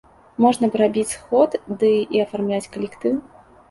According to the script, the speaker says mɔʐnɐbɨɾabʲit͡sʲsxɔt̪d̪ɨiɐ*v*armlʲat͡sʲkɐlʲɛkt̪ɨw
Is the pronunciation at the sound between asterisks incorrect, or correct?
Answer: incorrect